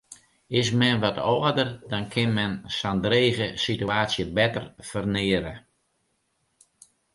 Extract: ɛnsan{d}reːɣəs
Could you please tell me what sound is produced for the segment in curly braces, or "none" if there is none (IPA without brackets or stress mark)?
d